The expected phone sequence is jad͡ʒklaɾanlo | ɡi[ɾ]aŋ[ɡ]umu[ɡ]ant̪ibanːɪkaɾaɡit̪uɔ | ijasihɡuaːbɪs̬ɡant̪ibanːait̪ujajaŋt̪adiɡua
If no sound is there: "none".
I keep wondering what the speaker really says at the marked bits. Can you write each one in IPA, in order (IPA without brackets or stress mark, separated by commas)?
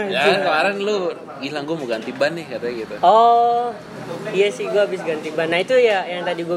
l, ɡ, ɡ